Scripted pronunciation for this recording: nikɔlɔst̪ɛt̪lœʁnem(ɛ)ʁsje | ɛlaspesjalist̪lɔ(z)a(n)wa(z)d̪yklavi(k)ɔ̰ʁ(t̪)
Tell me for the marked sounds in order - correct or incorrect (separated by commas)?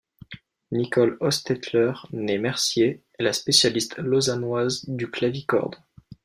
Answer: correct, correct, correct, correct, correct, incorrect